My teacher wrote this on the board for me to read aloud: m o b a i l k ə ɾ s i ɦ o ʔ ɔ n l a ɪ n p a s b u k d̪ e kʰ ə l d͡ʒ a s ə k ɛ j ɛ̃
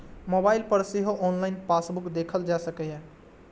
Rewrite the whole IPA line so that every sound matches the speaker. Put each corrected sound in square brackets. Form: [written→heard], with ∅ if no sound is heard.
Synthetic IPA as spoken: m o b a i l [k→p] ə ɾ s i ɦ o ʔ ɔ n l a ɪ n p a s b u k d̪ e kʰ ə l d͡ʒ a s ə k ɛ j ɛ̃